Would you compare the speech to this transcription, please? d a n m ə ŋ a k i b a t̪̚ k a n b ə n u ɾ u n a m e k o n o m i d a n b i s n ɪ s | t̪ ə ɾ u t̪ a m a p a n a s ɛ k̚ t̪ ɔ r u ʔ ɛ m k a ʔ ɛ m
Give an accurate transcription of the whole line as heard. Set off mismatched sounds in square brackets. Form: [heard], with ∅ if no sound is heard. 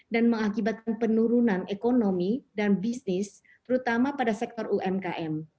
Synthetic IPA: d a n m ə ŋ a k i b a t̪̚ k a n [p] ə n u ɾ u n a [n] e k o n o m i d a n b i s n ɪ s | t̪ ə ɾ u t̪ a m a p a [d] a s ɛ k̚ t̪ ɔ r u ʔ ɛ m k a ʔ ɛ m